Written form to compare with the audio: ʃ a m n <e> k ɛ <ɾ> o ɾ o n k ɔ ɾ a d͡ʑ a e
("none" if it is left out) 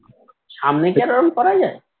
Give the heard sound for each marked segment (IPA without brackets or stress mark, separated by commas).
e, ɾ